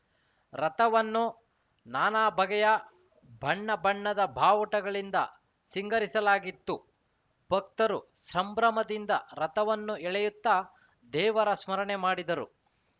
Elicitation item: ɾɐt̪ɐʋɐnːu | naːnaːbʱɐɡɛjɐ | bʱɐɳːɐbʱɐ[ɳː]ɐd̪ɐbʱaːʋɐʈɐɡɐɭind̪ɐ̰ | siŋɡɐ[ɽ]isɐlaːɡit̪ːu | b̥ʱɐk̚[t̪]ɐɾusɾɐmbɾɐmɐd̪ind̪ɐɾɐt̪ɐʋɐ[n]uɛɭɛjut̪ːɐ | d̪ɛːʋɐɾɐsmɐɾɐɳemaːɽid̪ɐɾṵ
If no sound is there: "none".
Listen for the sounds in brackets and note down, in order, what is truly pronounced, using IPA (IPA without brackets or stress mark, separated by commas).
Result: ɳː, ɾ, t̪, nː